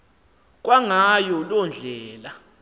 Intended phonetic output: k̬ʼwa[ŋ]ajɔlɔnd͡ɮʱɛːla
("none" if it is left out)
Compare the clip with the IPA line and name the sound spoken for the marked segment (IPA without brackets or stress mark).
ŋ